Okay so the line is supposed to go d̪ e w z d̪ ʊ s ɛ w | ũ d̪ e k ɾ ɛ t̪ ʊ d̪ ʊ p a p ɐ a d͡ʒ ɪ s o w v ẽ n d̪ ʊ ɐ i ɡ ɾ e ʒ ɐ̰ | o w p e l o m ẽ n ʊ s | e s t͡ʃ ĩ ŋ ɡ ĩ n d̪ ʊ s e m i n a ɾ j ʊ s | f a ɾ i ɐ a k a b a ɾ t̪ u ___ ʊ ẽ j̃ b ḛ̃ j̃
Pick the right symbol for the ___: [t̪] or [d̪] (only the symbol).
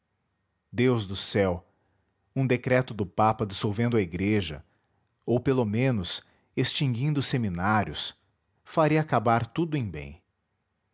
d̪